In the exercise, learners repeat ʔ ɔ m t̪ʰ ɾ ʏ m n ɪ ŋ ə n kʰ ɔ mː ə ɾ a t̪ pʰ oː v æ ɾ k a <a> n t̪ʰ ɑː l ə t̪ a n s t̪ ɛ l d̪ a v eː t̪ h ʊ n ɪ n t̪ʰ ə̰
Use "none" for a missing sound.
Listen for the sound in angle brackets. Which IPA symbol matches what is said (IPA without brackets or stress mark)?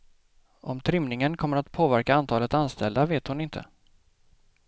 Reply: a